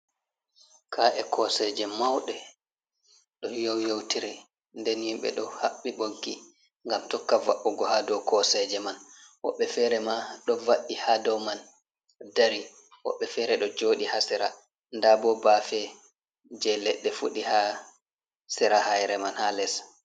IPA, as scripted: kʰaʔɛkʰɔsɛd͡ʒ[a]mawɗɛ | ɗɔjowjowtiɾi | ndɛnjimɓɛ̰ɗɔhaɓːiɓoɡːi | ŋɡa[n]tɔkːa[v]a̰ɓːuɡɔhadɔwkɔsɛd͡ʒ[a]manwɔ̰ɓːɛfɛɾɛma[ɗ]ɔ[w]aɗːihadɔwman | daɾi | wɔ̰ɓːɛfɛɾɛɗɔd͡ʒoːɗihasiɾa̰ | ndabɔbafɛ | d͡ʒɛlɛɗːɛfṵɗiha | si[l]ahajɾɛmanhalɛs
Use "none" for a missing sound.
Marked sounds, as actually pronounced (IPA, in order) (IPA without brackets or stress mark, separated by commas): ɛ, m, v, ɛ, ɗ, v, ɾ